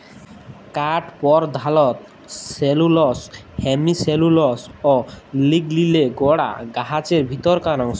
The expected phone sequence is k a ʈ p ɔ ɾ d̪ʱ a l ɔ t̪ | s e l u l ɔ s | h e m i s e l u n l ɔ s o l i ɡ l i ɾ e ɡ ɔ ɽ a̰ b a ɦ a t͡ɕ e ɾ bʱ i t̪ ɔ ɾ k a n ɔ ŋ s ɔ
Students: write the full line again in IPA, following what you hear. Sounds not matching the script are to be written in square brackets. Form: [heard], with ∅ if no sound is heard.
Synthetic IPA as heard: k a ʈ p ɔ ɾ d̪ʱ a l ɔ t̪ | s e l u l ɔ s | h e m i s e l u [∅] l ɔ s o l i ɡ l i [l] e ɡ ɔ ɽ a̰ [ɡ] a ɦ a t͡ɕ e ɾ bʱ i t̪ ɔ ɾ k a n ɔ ŋ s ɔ